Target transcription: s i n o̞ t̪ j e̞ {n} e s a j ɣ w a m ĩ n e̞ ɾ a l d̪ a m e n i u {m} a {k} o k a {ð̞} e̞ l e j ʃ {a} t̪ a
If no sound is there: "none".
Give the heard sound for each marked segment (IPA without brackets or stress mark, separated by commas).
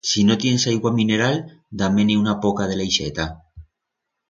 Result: n, n, p, ð̞, e